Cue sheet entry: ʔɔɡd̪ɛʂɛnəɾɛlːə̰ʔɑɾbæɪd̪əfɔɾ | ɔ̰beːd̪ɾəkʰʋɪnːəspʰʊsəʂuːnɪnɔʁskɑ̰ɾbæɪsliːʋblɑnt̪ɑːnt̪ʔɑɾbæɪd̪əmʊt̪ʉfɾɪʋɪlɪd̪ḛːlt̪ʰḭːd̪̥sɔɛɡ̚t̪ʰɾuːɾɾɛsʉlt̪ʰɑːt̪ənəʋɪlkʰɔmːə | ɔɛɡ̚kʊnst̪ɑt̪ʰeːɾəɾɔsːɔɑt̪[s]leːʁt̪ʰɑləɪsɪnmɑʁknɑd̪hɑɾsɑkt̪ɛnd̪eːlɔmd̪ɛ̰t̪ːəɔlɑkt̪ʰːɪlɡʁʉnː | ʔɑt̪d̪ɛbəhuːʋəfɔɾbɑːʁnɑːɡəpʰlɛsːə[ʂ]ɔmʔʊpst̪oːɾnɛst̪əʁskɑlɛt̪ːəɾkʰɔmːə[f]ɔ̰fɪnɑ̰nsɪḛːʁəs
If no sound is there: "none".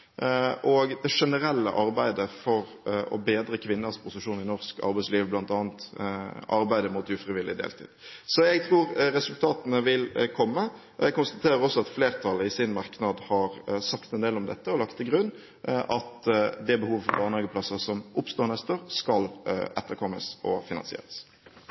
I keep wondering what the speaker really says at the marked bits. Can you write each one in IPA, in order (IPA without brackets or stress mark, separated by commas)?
f, s, s